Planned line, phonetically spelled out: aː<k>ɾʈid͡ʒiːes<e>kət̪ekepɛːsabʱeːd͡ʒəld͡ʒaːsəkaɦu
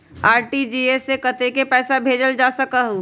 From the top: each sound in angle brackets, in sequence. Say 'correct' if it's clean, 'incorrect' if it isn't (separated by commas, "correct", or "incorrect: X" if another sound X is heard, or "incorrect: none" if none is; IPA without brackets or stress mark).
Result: incorrect: none, correct